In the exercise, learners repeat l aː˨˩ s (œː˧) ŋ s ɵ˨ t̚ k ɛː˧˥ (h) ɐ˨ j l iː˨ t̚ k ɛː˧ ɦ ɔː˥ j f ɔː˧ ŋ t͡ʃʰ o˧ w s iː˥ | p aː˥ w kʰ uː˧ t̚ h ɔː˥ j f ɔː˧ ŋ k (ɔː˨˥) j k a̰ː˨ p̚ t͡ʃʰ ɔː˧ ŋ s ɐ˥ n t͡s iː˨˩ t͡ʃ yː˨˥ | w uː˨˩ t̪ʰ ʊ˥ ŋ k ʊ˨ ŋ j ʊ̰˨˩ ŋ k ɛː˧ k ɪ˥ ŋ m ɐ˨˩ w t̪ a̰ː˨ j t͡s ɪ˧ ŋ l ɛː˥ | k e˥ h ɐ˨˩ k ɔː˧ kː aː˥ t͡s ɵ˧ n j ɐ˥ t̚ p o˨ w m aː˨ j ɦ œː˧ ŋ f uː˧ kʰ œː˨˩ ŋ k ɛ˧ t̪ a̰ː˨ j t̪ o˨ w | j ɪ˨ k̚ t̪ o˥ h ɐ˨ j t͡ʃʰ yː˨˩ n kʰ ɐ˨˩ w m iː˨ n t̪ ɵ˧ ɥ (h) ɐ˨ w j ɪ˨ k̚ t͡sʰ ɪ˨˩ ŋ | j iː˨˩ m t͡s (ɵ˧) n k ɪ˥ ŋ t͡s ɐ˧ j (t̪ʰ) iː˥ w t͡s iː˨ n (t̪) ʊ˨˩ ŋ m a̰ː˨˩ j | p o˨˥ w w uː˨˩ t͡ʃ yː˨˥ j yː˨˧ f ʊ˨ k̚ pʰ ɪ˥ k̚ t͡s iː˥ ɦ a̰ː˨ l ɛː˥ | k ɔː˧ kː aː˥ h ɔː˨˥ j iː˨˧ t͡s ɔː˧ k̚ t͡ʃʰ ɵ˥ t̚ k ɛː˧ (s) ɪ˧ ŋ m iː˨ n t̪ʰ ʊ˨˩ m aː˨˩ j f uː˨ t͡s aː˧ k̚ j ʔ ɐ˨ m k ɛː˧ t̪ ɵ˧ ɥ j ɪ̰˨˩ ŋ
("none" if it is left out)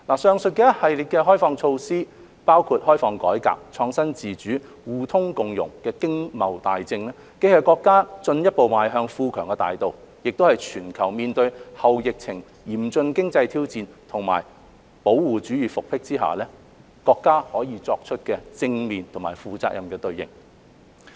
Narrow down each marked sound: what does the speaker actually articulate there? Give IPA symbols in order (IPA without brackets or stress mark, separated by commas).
œː˧, h, ɔː˨˥, h, ɵ˧, t̪ʰ, t̪ʰ, t͡s